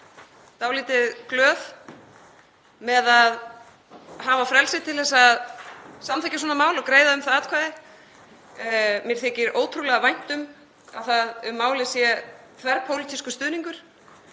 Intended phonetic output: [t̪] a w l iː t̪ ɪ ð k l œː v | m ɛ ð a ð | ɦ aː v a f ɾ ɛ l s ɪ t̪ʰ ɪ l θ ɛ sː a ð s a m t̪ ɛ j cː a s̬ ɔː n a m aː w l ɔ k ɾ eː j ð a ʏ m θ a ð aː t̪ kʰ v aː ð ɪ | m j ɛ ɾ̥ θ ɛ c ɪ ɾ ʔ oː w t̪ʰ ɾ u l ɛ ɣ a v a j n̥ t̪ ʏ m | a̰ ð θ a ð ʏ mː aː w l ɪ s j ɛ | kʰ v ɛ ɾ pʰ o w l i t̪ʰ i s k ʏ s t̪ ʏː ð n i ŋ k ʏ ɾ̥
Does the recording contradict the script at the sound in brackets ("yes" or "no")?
no